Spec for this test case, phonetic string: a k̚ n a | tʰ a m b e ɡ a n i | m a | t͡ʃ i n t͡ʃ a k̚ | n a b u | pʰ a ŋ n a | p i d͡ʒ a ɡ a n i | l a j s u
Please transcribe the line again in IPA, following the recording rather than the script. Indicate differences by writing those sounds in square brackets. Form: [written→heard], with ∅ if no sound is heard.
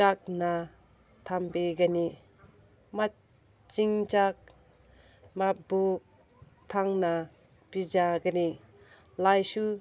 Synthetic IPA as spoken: a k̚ n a | tʰ a m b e ɡ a n i | m a | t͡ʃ i [n→ŋ] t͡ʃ a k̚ | [n→m] a b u | [pʰ→tʰ] a ŋ n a | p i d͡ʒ a ɡ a n i | l a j s u